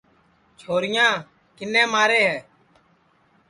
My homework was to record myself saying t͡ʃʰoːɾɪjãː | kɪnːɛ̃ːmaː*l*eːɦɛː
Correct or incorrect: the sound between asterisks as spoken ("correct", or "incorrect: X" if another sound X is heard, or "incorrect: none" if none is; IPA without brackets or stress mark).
incorrect: ɾ